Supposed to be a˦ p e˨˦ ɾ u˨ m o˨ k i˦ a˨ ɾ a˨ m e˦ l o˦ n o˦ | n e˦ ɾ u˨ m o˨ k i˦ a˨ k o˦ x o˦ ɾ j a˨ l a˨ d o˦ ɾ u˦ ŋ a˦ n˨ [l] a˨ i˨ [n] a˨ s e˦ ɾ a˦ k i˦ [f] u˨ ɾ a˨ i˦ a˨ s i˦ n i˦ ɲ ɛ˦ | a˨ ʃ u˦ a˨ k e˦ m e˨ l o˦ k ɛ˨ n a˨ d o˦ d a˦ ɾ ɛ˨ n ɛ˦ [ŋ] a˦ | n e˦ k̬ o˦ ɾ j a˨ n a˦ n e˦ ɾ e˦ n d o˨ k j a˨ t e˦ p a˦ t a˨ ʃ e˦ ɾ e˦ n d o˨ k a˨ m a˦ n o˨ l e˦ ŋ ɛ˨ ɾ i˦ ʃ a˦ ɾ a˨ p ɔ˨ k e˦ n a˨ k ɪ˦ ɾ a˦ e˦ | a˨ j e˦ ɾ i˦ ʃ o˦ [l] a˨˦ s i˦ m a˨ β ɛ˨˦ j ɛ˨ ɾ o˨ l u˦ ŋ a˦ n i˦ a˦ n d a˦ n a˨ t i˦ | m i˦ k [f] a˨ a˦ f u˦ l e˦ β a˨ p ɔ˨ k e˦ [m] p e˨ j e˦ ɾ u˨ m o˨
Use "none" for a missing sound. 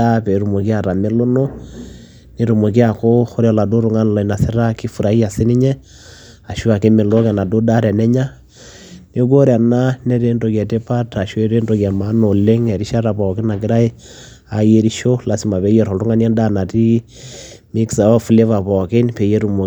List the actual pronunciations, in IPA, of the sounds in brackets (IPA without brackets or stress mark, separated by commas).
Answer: l, n, f, ɲ, l, s, n